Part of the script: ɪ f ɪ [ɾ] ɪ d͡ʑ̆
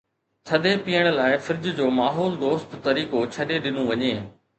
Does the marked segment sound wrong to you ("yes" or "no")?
no